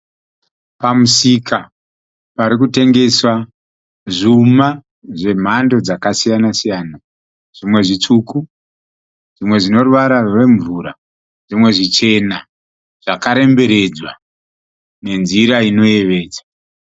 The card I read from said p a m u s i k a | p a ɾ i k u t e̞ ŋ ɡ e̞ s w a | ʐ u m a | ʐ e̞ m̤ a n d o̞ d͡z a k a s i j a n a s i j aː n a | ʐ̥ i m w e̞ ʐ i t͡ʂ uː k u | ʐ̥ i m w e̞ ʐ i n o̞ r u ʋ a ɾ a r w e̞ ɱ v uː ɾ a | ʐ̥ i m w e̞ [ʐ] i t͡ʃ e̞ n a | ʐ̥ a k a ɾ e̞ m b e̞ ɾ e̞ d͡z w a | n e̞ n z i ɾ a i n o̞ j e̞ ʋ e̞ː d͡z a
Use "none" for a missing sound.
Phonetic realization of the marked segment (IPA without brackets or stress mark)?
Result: ʐ